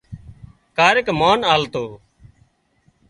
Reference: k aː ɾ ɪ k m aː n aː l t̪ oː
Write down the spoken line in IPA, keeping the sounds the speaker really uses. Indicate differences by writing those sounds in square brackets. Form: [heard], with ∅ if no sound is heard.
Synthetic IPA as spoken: k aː ɾ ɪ k m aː n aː l t̪ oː